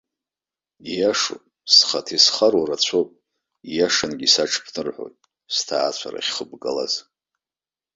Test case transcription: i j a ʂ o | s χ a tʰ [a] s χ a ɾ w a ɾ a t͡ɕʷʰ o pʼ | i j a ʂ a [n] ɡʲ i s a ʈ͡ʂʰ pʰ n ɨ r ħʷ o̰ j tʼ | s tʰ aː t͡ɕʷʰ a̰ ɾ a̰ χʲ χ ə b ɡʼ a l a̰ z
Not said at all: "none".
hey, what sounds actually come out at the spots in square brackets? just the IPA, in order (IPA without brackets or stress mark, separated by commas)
i, n